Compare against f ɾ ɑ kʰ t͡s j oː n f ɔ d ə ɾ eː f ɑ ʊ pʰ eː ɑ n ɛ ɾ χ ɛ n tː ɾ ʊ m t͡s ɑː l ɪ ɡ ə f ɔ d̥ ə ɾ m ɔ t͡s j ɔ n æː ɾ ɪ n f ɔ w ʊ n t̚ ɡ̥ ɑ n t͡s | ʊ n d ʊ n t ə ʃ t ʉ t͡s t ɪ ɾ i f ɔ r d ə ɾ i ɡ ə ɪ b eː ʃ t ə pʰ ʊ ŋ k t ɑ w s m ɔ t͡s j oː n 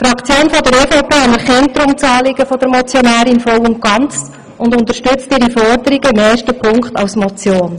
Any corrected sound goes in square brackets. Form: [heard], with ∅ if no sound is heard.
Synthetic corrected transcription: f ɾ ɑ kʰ t͡s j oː n f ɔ d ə ɾ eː f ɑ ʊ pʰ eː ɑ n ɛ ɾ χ ɛ n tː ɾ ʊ m t͡s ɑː l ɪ ɡ ə f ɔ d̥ ə ɾ m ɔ t͡s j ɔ n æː ɾ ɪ n f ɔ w ʊ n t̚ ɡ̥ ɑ n t͡s | ʊ n d ʊ n t ə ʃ t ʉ t͡s t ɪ ɾ i f ɔ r d ə ɾ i ɡ ə ɪ [m] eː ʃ t ə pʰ ʊ ŋ k t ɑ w s m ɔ t͡s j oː n